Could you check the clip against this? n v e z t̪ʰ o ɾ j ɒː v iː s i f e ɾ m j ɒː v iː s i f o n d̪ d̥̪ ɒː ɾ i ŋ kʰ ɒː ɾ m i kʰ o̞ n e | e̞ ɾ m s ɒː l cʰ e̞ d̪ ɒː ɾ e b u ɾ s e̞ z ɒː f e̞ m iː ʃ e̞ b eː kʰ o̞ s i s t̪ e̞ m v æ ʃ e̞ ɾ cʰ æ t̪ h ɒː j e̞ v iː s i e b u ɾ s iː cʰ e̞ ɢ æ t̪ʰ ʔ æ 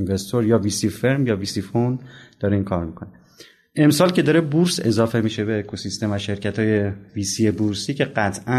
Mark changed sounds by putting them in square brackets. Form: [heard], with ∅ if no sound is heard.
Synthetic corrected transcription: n v e [s] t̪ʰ o ɾ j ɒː v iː s i f e ɾ m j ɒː v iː s i f o n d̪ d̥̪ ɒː ɾ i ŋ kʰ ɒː ɾ m i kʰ o̞ n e | e̞ [∅] m s ɒː l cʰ e̞ d̪ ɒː ɾ e b u ɾ s e̞ z ɒː f e̞ m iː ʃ e̞ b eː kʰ o̞ s i s t̪ e̞ m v æ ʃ e̞ ɾ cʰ æ t̪ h ɒː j e̞ v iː s i e b u ɾ s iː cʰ e̞ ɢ æ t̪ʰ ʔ æ